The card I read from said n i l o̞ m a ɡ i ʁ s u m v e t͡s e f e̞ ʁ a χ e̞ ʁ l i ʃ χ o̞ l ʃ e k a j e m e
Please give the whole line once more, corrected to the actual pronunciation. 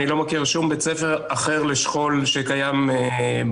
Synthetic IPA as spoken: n i l o̞ m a k i ʁ ʃ u m b e t͡s e f e̞ ʁ a χ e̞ ʁ l e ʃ χ o̞ l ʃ e k a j a m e